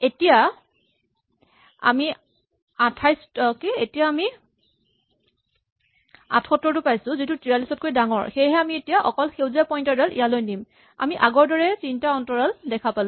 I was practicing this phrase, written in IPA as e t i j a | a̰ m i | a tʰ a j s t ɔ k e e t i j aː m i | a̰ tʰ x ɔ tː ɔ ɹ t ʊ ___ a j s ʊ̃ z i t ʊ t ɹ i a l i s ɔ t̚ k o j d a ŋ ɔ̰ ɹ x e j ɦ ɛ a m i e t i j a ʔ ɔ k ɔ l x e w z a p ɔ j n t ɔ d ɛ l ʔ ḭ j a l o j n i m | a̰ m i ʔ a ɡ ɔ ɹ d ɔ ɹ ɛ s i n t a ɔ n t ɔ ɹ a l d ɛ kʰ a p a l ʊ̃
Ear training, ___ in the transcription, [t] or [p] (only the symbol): p